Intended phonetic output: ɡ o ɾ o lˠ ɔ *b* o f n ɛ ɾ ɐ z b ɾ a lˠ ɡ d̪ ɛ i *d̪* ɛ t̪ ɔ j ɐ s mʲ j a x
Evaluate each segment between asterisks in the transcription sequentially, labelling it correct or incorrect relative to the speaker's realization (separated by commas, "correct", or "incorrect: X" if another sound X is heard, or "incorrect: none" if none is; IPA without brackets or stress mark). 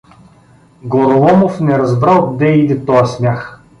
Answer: incorrect: m, correct